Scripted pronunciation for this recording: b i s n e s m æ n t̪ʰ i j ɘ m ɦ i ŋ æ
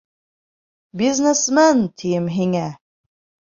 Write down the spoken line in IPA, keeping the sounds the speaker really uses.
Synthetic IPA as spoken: b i z n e s m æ n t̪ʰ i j ɘ m ɦ i ŋ æ